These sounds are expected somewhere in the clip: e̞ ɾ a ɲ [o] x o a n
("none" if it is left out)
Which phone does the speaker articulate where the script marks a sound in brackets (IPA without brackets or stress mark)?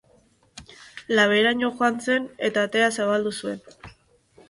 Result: o